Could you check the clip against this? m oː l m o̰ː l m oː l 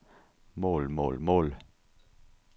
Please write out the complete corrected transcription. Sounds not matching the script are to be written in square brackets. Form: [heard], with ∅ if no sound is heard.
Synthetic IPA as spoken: m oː l m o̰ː l m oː l